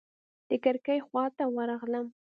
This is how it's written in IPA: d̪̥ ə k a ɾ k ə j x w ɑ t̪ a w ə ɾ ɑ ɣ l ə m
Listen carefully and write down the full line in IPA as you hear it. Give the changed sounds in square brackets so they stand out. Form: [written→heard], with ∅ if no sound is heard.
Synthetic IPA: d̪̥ ə k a ɾ k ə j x w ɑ t̪ a w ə ɾ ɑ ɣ l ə m